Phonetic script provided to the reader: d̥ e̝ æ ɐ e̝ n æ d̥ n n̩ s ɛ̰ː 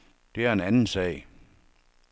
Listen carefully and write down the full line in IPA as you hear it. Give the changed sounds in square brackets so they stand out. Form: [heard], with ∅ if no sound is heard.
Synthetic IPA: d̥ e̝ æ ɐ e̝ n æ [∅] n n̩ s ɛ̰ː